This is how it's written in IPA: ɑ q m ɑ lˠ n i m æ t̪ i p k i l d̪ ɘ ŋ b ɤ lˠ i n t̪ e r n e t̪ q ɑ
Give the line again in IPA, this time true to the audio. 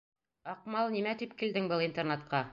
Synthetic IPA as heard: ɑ q m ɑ lˠ n i m æ t̪ i p k i l d̪ ɘ ŋ b ɤ lˠ i n t̪ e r n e t̪ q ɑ